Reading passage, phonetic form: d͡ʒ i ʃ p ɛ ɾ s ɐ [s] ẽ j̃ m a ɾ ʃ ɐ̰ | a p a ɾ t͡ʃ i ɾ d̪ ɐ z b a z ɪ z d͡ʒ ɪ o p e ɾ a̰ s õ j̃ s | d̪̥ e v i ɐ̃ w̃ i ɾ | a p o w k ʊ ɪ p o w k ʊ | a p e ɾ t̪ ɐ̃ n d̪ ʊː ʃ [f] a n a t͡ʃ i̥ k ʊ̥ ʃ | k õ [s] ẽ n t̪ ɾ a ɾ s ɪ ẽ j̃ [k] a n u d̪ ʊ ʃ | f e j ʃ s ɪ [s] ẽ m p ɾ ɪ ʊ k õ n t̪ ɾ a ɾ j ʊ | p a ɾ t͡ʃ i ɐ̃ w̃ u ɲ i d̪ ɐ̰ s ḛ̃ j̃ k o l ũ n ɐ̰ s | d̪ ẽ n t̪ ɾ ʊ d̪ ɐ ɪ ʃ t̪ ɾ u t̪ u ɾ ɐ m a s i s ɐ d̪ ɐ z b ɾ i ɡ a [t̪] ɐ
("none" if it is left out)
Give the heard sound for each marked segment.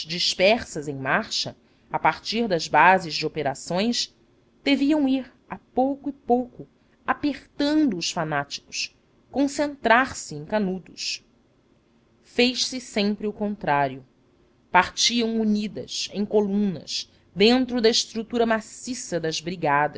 z, f, s, k, s, d̪

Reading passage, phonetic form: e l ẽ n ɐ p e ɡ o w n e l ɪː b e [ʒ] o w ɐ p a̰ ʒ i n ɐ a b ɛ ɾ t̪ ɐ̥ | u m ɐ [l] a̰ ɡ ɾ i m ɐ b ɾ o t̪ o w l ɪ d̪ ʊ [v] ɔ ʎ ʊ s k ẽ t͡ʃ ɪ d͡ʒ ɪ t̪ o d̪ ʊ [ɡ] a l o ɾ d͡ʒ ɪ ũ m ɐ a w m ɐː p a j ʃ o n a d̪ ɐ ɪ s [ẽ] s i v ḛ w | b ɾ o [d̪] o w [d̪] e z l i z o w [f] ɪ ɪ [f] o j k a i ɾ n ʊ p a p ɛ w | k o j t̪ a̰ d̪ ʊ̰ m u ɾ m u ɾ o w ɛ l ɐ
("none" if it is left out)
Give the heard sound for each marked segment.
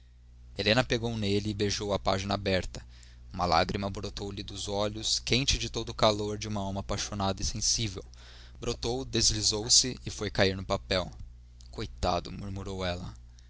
ʒ, l, z, k, ẽ, t̪, d̪, s, f

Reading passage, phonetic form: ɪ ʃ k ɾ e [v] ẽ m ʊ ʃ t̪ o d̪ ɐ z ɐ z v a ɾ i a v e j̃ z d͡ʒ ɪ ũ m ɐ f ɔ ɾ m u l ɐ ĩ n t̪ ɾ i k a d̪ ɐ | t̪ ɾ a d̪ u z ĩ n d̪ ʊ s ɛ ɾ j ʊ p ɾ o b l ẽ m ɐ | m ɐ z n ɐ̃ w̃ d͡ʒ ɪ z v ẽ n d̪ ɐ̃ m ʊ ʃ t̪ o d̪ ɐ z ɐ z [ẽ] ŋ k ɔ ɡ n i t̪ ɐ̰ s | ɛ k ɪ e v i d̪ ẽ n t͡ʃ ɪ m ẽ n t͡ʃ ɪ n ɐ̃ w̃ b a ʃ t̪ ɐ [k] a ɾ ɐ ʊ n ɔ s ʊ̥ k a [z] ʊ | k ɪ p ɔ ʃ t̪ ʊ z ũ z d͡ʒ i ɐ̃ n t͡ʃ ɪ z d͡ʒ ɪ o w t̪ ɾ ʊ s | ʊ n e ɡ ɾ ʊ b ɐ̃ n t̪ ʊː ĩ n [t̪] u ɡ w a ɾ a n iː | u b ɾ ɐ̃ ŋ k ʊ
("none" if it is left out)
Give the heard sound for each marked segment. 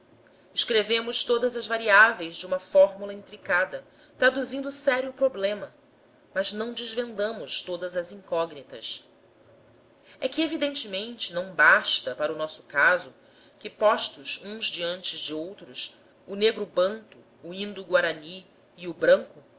v, ĩ, p, z, d̪

